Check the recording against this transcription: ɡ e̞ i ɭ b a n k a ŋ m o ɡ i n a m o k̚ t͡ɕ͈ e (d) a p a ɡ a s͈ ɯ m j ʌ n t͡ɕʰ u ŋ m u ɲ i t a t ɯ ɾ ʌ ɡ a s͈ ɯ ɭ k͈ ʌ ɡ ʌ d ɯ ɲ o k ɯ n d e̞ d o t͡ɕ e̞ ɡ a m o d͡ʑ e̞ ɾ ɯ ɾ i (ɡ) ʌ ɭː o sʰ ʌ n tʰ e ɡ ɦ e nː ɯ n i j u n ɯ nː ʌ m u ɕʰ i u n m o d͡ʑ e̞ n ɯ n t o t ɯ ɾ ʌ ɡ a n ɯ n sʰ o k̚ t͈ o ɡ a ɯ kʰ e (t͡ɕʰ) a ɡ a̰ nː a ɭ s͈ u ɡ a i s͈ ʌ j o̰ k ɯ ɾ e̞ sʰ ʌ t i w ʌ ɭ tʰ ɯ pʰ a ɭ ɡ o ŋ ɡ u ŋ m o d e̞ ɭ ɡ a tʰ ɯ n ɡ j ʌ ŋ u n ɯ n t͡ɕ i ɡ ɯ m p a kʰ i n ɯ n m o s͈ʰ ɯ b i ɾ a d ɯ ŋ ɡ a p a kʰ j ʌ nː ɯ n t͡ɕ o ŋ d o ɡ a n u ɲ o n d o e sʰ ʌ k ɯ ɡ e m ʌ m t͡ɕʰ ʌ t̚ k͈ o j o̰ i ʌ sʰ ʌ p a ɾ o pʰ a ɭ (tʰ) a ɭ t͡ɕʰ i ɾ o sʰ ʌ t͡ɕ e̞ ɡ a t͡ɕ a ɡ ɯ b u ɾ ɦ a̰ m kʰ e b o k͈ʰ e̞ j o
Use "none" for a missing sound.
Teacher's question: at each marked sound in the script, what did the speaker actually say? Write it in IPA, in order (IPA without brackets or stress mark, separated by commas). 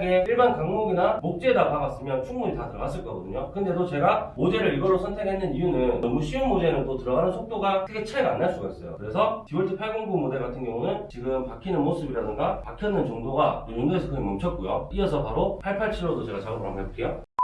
d, ɡ, t͡ɕʰ, pʰ